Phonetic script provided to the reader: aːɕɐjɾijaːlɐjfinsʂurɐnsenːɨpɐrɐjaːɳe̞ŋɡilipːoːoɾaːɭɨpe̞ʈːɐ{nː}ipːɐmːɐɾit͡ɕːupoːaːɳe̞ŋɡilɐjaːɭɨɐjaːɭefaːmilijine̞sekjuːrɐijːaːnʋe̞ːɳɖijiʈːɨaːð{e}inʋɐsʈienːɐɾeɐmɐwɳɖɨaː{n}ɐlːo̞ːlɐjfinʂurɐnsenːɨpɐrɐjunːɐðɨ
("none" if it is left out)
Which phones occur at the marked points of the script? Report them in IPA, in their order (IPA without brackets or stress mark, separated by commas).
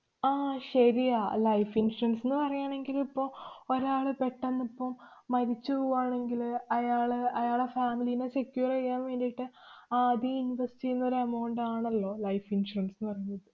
nː, i, ɳ